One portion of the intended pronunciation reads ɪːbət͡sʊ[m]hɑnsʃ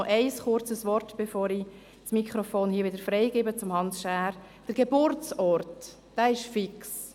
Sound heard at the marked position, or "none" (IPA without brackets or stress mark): m